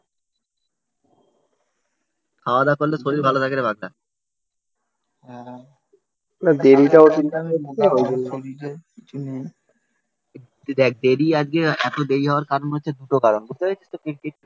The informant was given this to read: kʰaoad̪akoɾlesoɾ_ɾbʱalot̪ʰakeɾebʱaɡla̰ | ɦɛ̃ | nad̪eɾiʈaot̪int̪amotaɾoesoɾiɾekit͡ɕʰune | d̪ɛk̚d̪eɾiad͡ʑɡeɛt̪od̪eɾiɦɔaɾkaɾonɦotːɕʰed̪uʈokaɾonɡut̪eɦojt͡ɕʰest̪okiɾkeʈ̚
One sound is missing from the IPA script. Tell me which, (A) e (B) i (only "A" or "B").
B